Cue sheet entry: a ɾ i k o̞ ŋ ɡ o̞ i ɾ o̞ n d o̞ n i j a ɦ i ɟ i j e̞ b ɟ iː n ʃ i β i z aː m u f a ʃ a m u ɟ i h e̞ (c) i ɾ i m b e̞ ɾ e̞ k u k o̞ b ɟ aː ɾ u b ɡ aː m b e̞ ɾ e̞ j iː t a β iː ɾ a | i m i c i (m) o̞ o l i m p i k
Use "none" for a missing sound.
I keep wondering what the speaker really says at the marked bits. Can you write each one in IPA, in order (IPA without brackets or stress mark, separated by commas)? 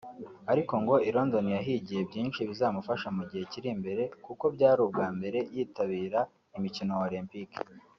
c, n